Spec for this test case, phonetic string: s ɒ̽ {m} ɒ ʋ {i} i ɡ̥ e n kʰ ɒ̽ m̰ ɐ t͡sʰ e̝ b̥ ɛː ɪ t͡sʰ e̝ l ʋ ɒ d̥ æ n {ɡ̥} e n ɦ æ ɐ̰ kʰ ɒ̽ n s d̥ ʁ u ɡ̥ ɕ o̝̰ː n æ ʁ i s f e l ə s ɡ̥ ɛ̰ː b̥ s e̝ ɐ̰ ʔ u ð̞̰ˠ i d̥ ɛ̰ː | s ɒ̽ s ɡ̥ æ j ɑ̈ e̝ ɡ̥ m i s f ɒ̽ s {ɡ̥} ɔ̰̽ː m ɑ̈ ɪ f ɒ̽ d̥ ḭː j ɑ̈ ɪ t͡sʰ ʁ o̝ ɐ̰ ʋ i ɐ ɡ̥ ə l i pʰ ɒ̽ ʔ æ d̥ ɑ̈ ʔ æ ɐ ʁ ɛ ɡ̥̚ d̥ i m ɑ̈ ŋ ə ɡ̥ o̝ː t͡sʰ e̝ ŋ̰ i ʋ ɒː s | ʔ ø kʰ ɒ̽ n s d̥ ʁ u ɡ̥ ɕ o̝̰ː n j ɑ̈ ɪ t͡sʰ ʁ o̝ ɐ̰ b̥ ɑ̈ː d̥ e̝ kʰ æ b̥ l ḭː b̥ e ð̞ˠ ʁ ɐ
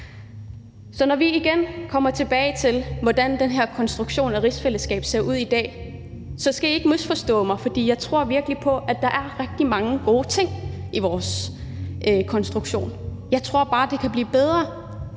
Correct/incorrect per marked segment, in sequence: incorrect, correct, incorrect, incorrect

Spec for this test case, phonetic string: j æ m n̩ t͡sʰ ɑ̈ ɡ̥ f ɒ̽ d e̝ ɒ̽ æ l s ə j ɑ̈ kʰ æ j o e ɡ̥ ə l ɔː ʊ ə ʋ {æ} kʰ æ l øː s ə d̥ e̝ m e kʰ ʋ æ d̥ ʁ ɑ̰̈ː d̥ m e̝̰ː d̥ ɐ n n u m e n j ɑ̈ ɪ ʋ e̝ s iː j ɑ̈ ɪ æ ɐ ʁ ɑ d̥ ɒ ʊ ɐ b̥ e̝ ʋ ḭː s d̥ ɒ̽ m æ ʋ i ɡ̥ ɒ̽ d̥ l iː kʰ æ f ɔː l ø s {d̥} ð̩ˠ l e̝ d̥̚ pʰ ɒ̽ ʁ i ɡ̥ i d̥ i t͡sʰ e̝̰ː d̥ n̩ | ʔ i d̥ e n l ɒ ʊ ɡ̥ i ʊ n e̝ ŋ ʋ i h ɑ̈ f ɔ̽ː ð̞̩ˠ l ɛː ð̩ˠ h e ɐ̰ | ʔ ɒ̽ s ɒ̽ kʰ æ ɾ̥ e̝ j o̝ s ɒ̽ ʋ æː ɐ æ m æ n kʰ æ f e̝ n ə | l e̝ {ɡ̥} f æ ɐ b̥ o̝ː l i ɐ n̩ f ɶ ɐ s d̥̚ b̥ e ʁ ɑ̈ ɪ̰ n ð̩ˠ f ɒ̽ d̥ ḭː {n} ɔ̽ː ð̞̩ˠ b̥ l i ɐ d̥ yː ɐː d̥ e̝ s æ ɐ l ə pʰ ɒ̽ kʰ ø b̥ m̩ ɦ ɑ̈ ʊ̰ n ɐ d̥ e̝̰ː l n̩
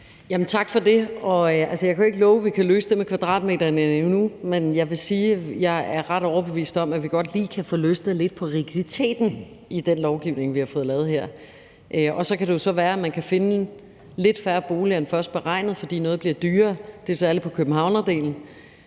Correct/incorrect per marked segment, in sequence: incorrect, correct, incorrect, correct

